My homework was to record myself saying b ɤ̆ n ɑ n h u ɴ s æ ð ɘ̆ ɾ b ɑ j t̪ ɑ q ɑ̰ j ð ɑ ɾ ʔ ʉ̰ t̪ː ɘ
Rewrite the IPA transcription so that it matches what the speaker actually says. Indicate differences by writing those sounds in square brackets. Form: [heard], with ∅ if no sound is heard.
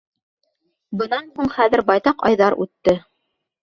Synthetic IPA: b ɤ̆ n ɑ n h u ɴ [χ] æ ð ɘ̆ ɾ b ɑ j t̪ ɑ q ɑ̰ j ð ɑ ɾ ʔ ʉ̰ t̪ː ɘ